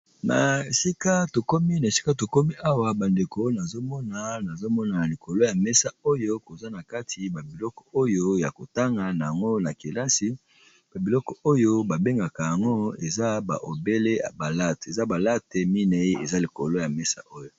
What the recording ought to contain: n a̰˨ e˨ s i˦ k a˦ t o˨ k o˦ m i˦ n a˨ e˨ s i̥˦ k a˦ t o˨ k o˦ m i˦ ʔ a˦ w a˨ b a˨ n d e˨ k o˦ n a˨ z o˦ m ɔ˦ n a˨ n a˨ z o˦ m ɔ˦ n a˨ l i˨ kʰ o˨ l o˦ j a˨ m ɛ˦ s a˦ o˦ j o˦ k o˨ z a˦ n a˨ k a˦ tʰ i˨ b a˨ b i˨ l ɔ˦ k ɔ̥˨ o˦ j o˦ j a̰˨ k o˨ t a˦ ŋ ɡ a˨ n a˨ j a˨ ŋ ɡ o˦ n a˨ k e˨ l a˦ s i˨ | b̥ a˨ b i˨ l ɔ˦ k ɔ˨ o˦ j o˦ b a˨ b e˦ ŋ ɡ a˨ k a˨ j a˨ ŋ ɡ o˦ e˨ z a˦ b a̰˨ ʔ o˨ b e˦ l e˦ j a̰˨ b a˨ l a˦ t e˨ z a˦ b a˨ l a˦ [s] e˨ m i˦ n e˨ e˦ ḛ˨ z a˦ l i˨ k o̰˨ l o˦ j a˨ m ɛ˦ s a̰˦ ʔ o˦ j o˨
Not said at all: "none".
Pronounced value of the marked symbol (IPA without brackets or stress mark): t